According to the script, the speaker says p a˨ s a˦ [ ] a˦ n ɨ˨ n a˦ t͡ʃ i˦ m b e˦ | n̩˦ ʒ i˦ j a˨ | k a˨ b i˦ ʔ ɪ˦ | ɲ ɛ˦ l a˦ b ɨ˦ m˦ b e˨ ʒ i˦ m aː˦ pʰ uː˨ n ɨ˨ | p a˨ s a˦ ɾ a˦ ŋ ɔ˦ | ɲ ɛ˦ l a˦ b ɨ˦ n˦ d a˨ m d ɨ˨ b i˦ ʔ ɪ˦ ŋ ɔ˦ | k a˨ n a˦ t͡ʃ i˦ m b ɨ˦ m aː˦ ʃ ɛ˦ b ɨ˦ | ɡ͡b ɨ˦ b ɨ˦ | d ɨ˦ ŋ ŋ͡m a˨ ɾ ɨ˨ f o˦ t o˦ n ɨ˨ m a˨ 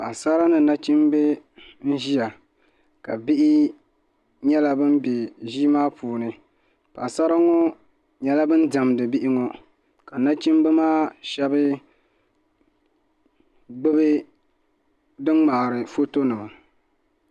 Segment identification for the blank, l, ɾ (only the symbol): ɾ